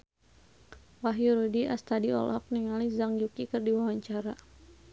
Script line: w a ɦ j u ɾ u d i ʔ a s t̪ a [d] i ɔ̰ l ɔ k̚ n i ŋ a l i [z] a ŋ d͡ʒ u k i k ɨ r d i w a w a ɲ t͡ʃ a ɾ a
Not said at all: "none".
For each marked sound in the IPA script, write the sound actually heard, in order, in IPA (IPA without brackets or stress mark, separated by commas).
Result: d, z